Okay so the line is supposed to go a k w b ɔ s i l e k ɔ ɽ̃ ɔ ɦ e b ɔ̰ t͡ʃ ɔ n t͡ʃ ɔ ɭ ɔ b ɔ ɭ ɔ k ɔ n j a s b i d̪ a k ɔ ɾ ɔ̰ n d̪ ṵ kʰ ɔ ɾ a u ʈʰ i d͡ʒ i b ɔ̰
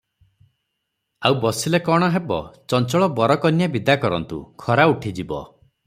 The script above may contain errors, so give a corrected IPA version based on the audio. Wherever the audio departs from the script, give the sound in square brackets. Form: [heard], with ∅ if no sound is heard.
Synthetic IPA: a [∅] w b ɔ s i l e k ɔ ɽ̃ ɔ ɦ e b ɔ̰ t͡ʃ ɔ n t͡ʃ ɔ ɭ ɔ b ɔ [ɾ] ɔ k ɔ n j a [∅] b i d̪ a k ɔ ɾ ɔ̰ n [t̪] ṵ kʰ ɔ ɾ a u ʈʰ i d͡ʒ i b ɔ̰